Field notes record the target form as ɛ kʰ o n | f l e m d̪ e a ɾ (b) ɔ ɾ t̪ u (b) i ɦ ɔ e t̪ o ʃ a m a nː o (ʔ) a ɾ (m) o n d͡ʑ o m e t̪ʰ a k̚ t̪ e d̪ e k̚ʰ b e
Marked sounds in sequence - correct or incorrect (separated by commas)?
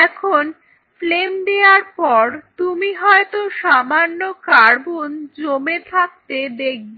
incorrect, incorrect, incorrect, incorrect